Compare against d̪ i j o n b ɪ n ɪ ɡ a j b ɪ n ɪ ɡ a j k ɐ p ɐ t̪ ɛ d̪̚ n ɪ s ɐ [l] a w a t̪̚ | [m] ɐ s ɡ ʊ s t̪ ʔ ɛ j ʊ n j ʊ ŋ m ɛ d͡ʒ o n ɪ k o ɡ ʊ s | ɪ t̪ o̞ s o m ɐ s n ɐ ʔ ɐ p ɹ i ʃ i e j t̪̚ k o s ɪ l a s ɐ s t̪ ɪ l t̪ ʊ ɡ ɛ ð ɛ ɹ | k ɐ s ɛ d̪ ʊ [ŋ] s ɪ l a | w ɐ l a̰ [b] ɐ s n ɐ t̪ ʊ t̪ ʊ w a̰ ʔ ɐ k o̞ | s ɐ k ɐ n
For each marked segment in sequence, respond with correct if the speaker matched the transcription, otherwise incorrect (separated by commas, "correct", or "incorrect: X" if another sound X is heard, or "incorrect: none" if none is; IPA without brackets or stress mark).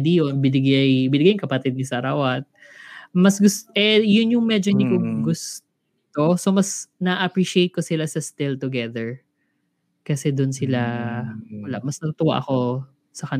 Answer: incorrect: ɾ, correct, incorrect: n, incorrect: m